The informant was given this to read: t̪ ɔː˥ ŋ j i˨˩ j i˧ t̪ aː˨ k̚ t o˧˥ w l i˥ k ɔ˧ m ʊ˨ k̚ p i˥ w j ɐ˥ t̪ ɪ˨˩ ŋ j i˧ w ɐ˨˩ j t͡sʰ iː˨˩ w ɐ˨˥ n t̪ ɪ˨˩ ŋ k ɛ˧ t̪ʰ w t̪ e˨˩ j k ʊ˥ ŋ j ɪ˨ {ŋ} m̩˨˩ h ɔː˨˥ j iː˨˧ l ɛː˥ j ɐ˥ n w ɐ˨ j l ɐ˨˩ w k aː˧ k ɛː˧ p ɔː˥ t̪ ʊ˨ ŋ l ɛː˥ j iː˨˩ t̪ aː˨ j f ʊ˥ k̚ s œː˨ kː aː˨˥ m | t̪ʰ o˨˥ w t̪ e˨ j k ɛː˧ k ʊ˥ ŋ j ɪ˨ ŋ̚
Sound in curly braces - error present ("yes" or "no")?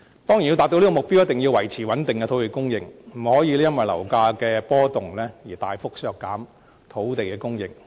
no